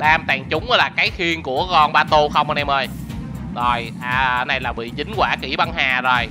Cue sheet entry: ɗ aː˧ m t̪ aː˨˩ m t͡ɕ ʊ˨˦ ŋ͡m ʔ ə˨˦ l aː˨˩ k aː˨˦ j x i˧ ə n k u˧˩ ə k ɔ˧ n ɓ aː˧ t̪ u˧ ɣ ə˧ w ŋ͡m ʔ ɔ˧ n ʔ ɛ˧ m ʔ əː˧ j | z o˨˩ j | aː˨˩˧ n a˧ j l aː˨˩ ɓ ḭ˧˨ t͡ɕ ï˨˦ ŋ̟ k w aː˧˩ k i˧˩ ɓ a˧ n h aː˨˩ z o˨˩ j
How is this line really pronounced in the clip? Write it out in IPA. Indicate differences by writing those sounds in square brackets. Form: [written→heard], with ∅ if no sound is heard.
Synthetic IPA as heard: ɗ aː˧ m t̪ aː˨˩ [m→ŋ] t͡ɕ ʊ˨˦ ŋ͡m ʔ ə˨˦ l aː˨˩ k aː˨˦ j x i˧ ə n k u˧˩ ə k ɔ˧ n ɓ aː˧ t̪ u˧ [ɣ→x] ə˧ w ŋ͡m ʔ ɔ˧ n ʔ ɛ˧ m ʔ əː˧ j | z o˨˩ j | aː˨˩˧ n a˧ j l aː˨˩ ɓ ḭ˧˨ t͡ɕ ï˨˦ ŋ̟ k w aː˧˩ k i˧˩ ɓ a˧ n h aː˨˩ z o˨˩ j